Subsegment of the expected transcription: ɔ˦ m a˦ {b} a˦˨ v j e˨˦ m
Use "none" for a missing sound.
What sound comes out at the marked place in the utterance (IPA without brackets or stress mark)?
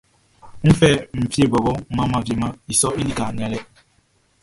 m